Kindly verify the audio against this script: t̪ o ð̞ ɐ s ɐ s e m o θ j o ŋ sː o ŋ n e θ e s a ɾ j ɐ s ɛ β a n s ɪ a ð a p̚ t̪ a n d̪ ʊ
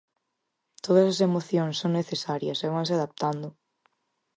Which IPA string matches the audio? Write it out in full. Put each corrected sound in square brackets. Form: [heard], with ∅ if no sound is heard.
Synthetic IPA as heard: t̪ o ð̞ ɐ s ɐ s e m o θ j o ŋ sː o ŋ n e θ e s a ɾ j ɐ s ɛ β a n s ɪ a ð a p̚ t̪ a n d̪ ʊ